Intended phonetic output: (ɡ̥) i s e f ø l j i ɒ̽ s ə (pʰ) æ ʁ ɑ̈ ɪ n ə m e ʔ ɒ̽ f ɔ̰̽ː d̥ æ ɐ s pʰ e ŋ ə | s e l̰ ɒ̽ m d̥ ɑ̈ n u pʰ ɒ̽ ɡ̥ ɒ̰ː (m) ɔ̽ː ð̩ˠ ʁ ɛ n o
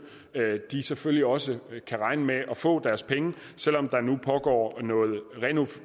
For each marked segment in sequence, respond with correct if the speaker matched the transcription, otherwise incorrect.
incorrect, incorrect, incorrect

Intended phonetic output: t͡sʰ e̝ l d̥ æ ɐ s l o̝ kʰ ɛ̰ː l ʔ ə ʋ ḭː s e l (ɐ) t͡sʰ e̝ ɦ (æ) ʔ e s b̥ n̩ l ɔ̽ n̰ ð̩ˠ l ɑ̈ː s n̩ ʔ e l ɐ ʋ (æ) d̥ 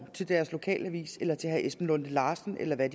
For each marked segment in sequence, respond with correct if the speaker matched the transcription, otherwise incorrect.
correct, correct, correct

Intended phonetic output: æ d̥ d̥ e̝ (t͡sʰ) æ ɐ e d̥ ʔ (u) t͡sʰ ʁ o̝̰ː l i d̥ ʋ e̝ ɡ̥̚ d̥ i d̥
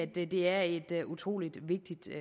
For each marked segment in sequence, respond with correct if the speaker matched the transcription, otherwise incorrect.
incorrect, correct

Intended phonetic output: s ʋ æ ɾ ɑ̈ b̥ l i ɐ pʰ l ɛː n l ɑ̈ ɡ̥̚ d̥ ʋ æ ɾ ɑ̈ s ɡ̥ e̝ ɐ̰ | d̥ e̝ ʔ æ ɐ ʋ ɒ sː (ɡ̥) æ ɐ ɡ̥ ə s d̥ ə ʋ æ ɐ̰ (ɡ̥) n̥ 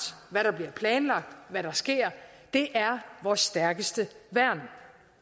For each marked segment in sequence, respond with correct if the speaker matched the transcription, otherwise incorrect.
incorrect, incorrect

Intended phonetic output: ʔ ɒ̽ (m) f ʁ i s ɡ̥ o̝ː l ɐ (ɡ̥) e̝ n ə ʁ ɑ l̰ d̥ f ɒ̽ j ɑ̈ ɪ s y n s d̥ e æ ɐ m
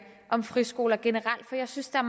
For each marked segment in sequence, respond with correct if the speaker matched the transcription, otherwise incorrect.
correct, correct

